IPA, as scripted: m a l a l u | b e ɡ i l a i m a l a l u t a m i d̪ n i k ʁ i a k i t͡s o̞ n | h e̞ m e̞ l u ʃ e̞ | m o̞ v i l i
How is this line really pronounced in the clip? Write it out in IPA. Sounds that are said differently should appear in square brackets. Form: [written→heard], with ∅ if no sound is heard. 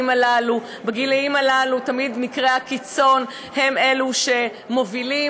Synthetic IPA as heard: m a l a l u | b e ɡ i l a i m a l a l u t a m i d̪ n i k ʁ [i→e] a k i t͡s o̞ n | h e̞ m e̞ l u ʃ e̞ | m o̞ v i l i